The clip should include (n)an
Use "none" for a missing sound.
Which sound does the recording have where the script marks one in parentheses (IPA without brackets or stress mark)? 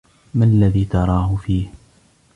m